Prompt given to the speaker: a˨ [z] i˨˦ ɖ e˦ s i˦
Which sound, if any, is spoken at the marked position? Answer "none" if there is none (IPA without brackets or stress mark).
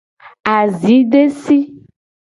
z